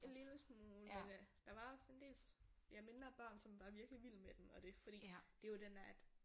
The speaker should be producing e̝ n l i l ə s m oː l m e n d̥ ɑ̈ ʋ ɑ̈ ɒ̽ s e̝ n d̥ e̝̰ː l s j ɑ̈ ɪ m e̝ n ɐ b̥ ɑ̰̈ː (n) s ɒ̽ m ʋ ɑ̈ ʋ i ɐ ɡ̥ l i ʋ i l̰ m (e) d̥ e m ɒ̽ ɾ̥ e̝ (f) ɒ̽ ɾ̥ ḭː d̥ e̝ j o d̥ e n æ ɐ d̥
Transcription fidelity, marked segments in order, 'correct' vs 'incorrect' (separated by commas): correct, correct, correct